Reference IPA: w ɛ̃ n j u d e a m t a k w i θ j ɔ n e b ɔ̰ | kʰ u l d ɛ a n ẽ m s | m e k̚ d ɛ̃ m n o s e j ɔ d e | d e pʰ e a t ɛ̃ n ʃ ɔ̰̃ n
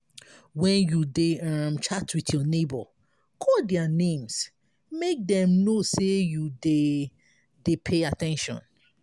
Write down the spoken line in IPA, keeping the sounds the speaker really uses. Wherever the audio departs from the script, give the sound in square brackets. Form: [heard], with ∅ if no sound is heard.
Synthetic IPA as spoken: w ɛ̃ n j u d e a m [t͡ʃ] a [t] w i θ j ɔ n e b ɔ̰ | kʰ [ɔ] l d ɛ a n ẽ m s | m e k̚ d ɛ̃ m n o s e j [u] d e | d e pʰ e a t ɛ̃ n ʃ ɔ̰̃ n